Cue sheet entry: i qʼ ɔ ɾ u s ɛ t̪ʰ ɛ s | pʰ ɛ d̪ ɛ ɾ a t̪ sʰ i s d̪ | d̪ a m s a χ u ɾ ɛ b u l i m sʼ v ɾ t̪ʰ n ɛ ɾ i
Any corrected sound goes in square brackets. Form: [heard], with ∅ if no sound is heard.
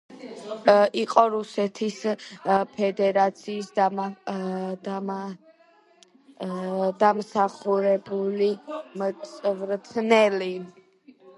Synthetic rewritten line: i qʼ ɔ ɾ u s ɛ t̪ʰ [i] s | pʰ ɛ d̪ ɛ ɾ a t̪ sʰ [iː] s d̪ | d̪ a m s a χ u ɾ ɛ b u l i m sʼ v ɾ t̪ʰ n ɛ [l] i